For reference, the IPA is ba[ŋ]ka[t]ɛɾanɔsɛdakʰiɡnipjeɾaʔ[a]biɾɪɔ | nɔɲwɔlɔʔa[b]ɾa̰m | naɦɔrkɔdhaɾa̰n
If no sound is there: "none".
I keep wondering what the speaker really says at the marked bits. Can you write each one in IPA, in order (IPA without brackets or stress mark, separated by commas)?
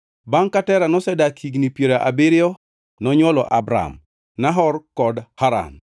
ŋ, t, a, b